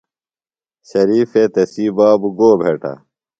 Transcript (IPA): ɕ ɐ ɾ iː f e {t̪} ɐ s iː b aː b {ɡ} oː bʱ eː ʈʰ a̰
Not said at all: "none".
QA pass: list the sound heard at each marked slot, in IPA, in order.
t̪, ɡ

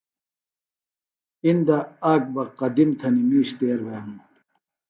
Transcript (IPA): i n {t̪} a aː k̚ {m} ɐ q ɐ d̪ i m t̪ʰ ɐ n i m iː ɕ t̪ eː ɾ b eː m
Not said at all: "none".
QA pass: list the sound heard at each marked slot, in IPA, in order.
d̪, b

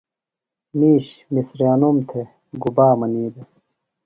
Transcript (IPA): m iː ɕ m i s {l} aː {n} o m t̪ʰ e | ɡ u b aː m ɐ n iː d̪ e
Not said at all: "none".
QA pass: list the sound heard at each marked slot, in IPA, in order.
ɾ, n

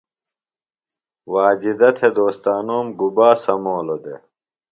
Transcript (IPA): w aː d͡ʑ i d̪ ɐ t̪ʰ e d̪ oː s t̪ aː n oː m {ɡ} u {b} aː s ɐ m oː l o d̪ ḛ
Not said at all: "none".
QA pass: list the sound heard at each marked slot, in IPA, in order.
ɡ, b

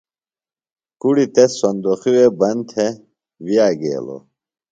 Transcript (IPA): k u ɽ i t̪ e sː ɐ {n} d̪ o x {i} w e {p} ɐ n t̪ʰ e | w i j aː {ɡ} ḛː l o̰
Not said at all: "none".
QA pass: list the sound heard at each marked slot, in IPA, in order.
n, i, b, ɡ

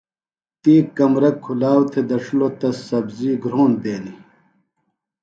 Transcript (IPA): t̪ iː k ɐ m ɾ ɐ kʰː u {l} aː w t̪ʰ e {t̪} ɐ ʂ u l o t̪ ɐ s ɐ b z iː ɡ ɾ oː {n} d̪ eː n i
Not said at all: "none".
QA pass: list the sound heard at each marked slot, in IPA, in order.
l, d̪, n

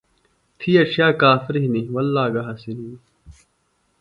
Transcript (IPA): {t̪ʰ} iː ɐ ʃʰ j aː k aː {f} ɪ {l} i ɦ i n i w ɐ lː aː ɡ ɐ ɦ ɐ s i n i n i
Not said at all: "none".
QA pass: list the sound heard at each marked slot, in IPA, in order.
t̪ʰ, f, ɾ

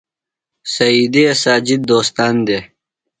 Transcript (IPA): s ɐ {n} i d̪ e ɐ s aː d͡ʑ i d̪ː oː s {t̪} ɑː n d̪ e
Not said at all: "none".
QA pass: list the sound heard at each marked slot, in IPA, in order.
none, t̪

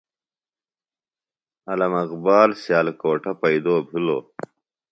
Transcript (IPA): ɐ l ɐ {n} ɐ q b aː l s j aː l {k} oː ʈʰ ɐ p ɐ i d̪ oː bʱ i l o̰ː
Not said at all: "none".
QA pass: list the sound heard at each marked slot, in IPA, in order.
m, k

